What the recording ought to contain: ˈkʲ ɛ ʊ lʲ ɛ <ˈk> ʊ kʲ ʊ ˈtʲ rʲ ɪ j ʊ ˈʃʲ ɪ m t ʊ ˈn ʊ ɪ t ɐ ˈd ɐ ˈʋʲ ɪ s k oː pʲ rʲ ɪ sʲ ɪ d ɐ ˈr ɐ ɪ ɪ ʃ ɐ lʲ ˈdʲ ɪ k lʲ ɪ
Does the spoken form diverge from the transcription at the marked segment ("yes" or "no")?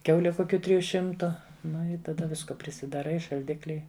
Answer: no